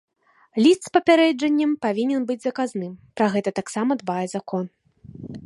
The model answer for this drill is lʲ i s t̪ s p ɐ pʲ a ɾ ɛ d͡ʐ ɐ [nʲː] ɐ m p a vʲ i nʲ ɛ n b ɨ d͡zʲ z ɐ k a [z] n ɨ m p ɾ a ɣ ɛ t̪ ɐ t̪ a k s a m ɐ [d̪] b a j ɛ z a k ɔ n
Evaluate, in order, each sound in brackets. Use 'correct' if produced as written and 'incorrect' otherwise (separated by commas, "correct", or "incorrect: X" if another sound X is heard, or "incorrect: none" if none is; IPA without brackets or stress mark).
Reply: correct, correct, correct